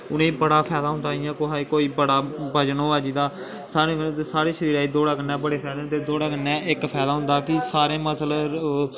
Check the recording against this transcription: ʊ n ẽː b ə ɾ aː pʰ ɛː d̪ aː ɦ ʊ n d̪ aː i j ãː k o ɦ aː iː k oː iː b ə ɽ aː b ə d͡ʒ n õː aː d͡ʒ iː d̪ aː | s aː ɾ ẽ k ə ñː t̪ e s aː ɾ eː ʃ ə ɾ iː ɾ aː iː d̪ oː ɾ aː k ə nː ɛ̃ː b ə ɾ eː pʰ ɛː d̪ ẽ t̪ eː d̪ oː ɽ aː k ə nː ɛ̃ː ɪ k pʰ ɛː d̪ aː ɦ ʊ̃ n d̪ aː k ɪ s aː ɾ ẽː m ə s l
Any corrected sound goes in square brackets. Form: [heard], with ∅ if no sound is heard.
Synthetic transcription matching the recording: ʊ n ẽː b ə [ɽ] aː pʰ ɛː d̪ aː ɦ ʊ n d̪ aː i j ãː k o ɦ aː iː k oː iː b ə ɽ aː b ə d͡ʒ n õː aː d͡ʒ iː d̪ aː | s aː ɾ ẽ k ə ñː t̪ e s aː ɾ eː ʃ ə ɾ iː ɾ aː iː d̪ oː [ɽ] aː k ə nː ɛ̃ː b ə [ɽ] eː pʰ ɛː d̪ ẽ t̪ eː d̪ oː ɽ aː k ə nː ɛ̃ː ɪ k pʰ ɛː d̪ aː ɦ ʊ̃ n d̪ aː k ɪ s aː ɾ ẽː m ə s l

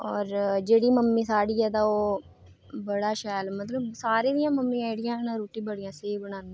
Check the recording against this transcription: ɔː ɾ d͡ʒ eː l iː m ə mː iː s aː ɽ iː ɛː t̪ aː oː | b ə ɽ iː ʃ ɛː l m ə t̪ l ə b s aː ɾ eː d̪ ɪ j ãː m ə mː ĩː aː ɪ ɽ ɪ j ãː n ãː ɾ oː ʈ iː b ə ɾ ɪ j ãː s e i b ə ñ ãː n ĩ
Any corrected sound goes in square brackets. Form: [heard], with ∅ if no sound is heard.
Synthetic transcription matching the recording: ɔː ɾ d͡ʒ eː [ɽ] iː m ə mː iː s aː ɽ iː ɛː t̪ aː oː | b ə ɽ [aː] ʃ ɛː l m ə t̪ l ə b s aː ɾ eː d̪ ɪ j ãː m ə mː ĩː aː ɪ ɽ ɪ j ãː n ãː ɾ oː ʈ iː b ə [ɽ] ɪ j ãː s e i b ə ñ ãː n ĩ

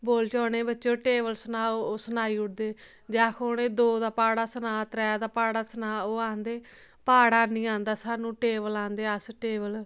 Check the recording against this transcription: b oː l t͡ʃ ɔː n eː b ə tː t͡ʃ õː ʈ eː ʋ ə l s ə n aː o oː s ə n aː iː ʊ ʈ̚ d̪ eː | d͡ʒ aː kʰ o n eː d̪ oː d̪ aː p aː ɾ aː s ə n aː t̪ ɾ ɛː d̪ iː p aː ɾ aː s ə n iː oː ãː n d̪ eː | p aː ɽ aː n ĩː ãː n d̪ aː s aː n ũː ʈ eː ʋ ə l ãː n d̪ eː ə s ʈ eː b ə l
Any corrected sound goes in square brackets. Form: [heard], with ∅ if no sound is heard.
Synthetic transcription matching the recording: b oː l t͡ʃ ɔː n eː b ə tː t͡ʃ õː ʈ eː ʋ ə l s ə n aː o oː s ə n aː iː ʊ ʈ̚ d̪ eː | d͡ʒ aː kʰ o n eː d̪ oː d̪ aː p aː [ɽ] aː s ə n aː t̪ ɾ ɛː d̪ [aː] p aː [ɽ] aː s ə n [aː] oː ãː n d̪ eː | p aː ɽ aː n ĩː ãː n d̪ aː s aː n ũː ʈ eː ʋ ə l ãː n d̪ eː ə s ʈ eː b ə l

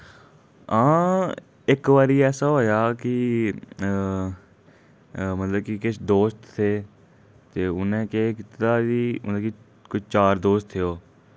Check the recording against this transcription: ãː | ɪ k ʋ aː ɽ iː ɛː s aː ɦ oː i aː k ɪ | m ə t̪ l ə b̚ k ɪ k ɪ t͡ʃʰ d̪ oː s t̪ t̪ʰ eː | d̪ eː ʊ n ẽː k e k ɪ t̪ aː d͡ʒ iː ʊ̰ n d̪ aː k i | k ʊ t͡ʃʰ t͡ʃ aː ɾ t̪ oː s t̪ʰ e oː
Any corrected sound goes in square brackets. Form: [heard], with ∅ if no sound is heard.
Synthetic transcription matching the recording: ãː | ɪ k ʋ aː [ɾ] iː ɛː s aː ɦ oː [j] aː k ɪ | m ə t̪ l ə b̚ k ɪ k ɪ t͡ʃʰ d̪ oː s t̪ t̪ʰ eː | [t̪] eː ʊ n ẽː k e k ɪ t̪ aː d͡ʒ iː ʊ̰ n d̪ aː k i | k ʊ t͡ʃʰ t͡ʃ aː ɾ [d̪] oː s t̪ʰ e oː

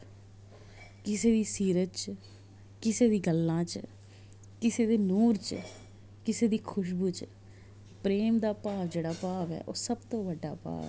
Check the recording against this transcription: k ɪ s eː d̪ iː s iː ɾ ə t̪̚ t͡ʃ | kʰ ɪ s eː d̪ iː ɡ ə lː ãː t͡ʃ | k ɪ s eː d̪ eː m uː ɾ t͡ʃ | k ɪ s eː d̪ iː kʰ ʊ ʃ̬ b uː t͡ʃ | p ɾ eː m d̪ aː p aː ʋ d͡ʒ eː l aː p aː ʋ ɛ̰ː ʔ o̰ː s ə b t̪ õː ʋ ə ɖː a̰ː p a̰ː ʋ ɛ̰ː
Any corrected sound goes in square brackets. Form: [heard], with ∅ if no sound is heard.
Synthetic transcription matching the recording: k ɪ s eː d̪ iː s iː ɾ ə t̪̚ t͡ʃ | [k] ɪ s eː d̪ iː ɡ ə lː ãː t͡ʃ | k ɪ s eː d̪ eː [n] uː ɾ t͡ʃ | k ɪ s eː d̪ iː kʰ ʊ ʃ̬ b uː t͡ʃ | p ɾ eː m d̪ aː p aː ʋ d͡ʒ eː [ɽ] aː p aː ʋ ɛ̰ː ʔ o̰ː s ə b t̪ õː ʋ ə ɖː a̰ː p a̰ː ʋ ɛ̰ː

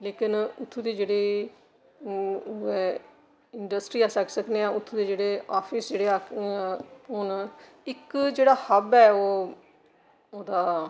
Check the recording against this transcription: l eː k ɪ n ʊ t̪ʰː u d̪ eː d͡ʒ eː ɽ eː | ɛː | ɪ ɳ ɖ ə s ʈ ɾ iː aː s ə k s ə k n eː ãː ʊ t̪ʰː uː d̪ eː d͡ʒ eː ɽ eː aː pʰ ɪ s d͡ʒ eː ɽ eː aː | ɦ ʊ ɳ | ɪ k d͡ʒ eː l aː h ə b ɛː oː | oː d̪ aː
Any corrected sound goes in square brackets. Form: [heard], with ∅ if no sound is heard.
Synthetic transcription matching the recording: l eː k ɪ n ʊ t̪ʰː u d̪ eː d͡ʒ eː ɽ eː | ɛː | ɪ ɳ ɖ ə s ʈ ɾ iː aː s ə k s ə k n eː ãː ʊ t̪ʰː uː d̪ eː d͡ʒ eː ɽ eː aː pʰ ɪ s d͡ʒ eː ɽ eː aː | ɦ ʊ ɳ | ɪ k d͡ʒ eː [ɽ] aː h ə b ɛː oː | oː d̪ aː

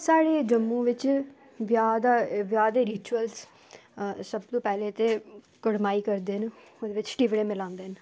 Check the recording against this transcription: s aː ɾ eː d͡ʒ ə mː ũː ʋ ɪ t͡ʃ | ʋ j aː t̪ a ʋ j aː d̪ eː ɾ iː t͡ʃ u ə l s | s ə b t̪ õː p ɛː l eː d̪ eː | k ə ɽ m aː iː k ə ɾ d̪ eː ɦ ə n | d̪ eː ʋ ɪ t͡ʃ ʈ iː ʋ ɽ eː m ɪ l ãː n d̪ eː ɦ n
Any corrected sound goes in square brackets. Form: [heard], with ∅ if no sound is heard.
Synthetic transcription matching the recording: s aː [ɽ] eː d͡ʒ ə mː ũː ʋ ɪ t͡ʃ | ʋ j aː [d̪] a ʋ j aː d̪ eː ɾ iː t͡ʃ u ə l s | s ə b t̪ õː p ɛː l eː [t̪] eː | k ə ɽ m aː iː k ə ɾ d̪ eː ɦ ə n | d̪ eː ʋ ɪ t͡ʃ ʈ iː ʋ ɽ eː m ɪ l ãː n d̪ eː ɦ n

